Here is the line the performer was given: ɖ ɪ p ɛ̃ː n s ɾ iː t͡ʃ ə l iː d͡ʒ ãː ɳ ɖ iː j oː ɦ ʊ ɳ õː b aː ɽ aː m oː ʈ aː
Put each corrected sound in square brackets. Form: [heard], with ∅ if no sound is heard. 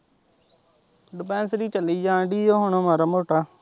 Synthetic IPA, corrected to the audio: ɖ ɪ p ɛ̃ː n s ɾ iː t͡ʃ ə l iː d͡ʒ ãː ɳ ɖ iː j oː ɦ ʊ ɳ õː [m] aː [ɾ] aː m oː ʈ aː